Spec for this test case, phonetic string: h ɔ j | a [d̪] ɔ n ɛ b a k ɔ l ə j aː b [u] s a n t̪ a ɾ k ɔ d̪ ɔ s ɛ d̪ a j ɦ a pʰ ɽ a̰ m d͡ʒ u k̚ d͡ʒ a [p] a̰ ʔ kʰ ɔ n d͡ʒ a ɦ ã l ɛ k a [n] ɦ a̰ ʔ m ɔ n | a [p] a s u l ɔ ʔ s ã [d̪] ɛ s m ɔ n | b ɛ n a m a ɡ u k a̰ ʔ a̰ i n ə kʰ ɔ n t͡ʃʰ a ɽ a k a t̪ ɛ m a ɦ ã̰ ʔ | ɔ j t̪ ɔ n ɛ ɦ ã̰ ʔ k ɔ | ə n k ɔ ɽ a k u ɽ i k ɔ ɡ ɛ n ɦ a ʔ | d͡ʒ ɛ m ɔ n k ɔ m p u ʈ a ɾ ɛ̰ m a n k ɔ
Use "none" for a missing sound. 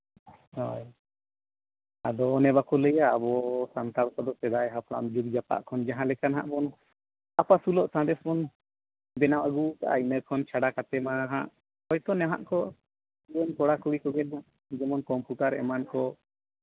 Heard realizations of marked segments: d̪, ɔ, p, n, p, d̪

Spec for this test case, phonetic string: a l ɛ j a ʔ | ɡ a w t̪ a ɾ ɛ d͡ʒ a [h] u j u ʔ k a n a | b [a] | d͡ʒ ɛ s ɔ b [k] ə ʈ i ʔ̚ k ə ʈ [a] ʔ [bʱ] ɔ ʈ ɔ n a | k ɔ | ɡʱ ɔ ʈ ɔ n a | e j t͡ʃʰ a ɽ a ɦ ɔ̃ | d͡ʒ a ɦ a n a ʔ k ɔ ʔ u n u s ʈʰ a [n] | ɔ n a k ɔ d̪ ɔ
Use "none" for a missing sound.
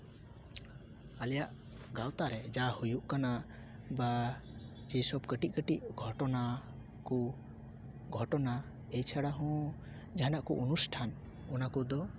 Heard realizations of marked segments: h, a, k, i, ɡʱ, n

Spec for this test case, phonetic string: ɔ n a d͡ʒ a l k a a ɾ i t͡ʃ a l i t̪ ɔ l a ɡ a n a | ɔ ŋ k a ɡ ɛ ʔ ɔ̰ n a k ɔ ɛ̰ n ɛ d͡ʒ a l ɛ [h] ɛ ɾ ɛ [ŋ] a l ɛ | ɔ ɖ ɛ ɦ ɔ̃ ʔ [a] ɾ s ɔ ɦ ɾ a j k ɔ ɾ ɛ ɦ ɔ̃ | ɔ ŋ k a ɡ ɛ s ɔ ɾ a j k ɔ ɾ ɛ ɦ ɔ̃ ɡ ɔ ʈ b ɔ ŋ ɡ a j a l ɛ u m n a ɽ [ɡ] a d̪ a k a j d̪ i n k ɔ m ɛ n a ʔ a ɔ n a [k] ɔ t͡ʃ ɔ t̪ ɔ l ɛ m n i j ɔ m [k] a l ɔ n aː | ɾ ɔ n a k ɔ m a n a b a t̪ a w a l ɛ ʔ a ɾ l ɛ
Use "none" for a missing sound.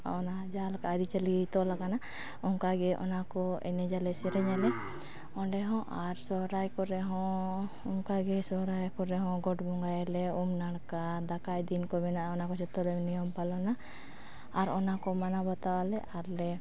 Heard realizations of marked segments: s, ɲ, a, k, k, p

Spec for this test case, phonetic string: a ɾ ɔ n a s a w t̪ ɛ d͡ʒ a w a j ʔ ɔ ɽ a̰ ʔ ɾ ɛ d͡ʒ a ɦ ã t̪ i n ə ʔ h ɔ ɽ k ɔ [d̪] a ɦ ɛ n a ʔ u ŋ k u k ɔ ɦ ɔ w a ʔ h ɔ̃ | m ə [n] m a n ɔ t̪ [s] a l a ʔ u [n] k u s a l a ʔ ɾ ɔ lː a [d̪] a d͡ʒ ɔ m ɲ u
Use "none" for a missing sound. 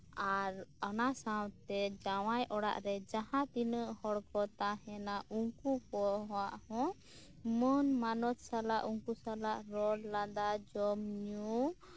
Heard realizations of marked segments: t̪, n, s, ŋ, d̪

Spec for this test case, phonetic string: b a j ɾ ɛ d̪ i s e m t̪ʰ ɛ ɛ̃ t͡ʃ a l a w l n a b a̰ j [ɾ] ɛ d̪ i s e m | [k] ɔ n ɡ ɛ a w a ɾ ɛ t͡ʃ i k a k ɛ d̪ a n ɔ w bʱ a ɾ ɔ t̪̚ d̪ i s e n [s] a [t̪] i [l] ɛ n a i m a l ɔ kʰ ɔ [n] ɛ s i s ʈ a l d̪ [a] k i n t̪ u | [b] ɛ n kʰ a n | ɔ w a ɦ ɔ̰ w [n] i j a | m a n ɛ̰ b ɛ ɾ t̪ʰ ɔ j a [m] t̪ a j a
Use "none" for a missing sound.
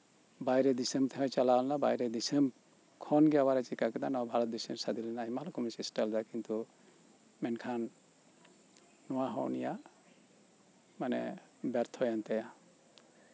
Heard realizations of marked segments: ɾ, kʰ, s, d̪, l, m, a, m, n, n

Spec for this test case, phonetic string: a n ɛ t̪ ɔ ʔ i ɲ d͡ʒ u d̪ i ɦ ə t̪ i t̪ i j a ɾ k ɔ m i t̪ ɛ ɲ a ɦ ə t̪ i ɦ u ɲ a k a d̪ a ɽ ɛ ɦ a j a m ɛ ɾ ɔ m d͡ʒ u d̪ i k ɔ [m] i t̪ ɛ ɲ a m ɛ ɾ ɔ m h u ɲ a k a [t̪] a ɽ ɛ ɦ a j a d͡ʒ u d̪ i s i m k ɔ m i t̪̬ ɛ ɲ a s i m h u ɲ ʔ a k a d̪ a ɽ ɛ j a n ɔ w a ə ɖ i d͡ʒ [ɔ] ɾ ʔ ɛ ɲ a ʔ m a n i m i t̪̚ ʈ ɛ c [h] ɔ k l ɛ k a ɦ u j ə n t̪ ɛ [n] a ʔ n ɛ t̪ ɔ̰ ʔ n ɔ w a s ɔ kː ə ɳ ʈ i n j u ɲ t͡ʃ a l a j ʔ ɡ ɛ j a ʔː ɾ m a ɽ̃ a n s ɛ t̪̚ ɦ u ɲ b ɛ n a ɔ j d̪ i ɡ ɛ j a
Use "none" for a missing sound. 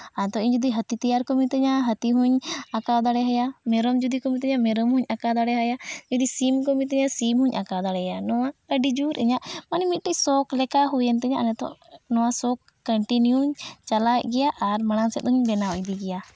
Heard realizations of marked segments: m, d̪, u, s, ɲ

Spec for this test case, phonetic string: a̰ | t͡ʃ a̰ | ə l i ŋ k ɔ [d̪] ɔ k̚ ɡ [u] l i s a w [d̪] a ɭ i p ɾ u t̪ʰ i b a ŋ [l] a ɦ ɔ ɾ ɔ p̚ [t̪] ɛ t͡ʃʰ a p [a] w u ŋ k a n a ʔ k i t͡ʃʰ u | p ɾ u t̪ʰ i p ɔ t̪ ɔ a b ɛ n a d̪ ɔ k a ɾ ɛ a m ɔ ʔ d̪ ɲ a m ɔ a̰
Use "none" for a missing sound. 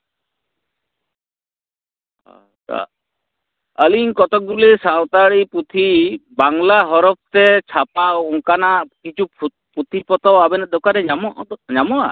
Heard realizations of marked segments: t̪, u, t̪, l, t̪, a

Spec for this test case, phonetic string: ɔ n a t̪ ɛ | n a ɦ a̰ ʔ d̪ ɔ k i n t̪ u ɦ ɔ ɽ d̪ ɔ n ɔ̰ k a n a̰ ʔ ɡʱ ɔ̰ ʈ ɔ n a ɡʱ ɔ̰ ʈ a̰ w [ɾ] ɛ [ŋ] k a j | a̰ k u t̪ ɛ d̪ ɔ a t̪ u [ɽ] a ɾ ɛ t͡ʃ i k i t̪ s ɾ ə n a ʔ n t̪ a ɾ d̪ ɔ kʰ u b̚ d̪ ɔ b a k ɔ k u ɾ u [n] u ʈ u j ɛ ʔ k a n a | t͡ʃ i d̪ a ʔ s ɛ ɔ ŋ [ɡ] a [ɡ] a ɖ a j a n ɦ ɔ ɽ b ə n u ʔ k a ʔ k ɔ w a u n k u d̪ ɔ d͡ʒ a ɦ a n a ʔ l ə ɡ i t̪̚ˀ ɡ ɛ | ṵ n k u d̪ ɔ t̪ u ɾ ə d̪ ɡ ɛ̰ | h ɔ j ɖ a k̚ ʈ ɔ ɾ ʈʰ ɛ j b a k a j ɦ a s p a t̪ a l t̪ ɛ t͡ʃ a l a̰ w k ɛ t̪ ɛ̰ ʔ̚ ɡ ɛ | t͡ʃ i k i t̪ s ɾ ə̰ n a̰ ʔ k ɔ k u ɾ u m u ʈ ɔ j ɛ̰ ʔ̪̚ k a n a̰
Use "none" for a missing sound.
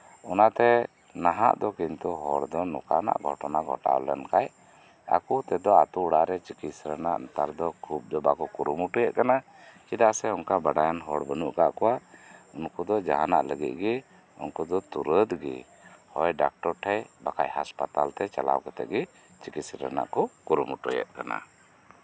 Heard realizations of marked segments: l, n, ɽ, m, k, b

